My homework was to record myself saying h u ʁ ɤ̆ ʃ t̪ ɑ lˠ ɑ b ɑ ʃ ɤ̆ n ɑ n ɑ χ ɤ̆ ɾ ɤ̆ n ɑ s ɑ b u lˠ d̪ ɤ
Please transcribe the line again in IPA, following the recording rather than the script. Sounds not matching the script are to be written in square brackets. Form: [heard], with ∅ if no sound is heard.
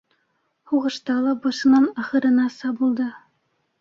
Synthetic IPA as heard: h u ʁ ɤ̆ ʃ t̪ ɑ lˠ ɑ b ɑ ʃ ɤ̆ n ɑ n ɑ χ ɤ̆ ɾ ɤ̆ n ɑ s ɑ b u lˠ d̪ ɤ